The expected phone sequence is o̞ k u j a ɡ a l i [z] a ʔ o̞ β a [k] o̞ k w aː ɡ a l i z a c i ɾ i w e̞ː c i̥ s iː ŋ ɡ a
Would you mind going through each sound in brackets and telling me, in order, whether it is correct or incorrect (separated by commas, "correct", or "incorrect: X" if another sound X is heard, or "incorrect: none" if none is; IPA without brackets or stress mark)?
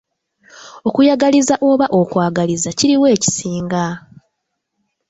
correct, incorrect: ʔ